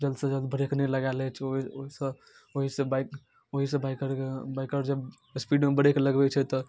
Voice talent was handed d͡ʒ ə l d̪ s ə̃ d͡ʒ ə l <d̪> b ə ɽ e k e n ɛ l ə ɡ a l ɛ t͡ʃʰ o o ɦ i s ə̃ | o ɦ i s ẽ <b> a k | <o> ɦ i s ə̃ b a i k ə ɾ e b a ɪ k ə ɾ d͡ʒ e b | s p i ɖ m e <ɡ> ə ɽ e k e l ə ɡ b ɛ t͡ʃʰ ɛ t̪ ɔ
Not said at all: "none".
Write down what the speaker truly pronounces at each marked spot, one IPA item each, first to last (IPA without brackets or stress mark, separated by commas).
d̪, b, o, b